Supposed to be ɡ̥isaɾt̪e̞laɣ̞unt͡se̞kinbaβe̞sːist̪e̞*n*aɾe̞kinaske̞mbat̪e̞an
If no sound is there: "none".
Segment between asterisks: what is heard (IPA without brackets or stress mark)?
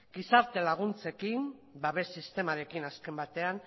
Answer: m